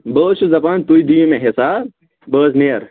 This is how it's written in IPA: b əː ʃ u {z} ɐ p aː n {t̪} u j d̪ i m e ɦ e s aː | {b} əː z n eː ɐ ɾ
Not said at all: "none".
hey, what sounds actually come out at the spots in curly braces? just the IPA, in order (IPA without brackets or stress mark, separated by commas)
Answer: z, t̪, b